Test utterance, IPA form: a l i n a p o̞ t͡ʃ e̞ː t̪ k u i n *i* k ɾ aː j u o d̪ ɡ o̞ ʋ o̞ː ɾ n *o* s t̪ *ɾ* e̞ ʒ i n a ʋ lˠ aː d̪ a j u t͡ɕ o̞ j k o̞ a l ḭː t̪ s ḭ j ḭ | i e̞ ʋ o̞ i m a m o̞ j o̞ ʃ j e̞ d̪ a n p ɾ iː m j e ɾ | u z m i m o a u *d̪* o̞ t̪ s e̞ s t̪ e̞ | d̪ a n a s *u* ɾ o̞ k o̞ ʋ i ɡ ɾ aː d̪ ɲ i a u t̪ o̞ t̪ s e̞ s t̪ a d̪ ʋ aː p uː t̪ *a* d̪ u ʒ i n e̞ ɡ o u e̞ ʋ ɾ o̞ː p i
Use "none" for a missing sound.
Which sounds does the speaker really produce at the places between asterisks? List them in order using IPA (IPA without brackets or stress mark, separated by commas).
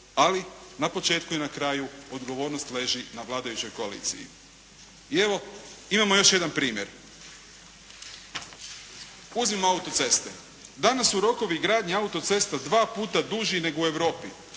a, o, l, t̪, u, a